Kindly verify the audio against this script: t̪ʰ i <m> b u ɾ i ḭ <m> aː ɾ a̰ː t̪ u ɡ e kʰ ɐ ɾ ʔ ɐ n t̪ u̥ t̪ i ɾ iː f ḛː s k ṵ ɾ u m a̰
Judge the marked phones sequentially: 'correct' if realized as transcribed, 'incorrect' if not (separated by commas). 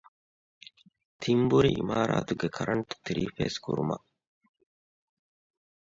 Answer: correct, correct